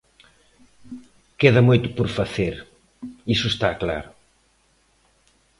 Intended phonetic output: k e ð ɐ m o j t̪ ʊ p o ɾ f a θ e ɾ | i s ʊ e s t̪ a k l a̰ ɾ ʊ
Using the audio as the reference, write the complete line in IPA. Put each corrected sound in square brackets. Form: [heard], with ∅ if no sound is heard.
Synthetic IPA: k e ð ɐ m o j t̪ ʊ p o ɾ f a θ e ɾ | i s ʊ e s t̪ a k l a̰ ɾ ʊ

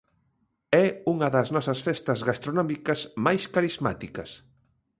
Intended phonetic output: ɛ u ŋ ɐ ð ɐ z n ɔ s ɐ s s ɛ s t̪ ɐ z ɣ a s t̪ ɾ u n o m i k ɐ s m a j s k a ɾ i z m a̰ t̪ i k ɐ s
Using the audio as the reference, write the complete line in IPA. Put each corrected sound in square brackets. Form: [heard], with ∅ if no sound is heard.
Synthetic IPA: ɛ u ŋ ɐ ð ɐ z n ɔ s ɐ s [f] ɛ s t̪ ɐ z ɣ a s t̪ ɾ [o] n [ɔ] m i k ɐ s m a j s k a ɾ i z m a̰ t̪ i k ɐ s

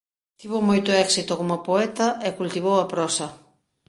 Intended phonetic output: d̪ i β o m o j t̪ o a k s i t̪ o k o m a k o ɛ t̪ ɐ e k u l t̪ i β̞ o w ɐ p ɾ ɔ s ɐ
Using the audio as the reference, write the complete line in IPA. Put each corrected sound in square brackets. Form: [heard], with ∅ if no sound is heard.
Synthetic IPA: [t̪] i β o m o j t̪ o [ɛ] k s i t̪ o k o m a [p] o ɛ t̪ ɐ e k u l t̪ i β̞ o w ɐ p ɾ ɔ s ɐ

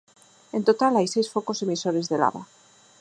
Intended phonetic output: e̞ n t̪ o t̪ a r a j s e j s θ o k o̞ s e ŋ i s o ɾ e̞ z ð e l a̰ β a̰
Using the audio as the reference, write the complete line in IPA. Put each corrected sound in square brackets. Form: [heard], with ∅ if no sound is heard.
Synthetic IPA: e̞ n t̪ o t̪ a [l] a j s e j s [f] o k o̞ s e [m] i s o ɾ e̞ z ð e l a̰ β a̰

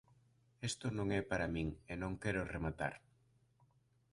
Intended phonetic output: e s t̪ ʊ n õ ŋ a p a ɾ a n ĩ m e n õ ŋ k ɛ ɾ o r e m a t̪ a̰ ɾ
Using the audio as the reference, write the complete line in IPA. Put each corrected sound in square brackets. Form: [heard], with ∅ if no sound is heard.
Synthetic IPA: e s t̪ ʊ n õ ŋ [ɛ] p a ɾ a [m] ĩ [ŋ] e n õ ŋ k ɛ ɾ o r e m a t̪ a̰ ɾ

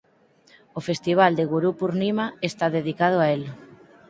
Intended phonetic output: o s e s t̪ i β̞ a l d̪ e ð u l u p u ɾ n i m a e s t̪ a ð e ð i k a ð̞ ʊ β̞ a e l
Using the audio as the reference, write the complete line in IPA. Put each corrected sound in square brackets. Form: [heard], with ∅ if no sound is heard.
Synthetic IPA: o [f] e s t̪ i β̞ a l d̪ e [ɣ] u [ɾ] u p u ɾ n i m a e s t̪ a ð e ð i k a ð̞ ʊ [∅] a e l

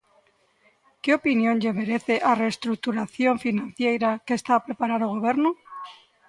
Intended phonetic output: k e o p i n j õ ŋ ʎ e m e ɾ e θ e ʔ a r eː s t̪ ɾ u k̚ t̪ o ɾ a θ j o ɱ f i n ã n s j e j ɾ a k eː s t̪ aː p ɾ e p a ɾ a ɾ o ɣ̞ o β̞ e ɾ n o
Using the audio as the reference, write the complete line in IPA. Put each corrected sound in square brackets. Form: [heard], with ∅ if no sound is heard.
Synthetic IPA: k e o p i n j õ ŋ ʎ e m e ɾ e θ e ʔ a r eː s t̪ ɾ u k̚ t̪ [u] ɾ a θ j o ɱ f i n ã n [θ] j e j ɾ a k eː s t̪ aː p ɾ e p a ɾ a ɾ o ɣ̞ o β̞ e ɾ n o

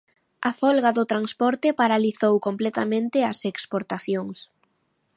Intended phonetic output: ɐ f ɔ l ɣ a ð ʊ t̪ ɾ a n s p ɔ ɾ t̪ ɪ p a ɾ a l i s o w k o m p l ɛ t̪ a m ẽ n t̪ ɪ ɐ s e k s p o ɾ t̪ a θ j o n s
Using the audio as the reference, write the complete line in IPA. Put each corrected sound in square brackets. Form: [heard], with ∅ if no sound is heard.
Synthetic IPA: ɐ f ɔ l ɣ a ð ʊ t̪ ɾ a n s p ɔ ɾ t̪ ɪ p a ɾ a l i [θ] o w k o m p l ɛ t̪ a m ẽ n t̪ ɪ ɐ s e k s p o ɾ t̪ a θ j o [ŋ] s

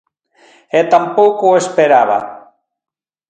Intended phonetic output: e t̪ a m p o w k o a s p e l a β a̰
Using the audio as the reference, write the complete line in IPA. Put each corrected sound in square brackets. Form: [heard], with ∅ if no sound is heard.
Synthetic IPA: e t̪ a m p o w k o [e] s p e [ɾ] a β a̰

